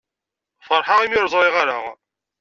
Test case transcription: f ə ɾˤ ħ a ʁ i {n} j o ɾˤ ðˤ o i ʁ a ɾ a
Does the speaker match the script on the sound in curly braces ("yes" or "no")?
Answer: no